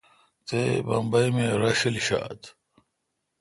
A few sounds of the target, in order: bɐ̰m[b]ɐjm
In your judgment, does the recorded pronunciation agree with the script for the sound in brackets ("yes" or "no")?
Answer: yes